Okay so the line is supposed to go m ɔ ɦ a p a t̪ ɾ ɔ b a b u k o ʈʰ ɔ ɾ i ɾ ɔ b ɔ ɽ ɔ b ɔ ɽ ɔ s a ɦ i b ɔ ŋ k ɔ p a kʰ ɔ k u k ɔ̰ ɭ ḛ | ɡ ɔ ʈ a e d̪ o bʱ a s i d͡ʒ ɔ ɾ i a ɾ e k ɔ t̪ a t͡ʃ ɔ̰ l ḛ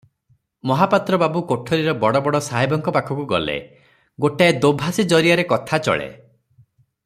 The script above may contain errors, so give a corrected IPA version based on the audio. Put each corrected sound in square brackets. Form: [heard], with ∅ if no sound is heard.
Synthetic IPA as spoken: m ɔ ɦ a p a t̪ ɾ ɔ b a b u k o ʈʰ ɔ ɾ i ɾ ɔ b ɔ ɽ ɔ b ɔ ɽ ɔ s a ɦ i b ɔ ŋ k ɔ p a kʰ ɔ k u [ɡ] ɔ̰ [l] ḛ | ɡ [o] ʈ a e d̪ o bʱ a s i d͡ʒ ɔ ɾ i a ɾ e k ɔ [t̪ʰ] a t͡ʃ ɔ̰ [ɭ] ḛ